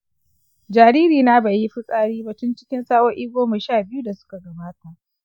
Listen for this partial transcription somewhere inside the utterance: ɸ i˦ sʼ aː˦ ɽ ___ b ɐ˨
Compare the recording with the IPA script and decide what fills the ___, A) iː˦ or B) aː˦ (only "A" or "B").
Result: A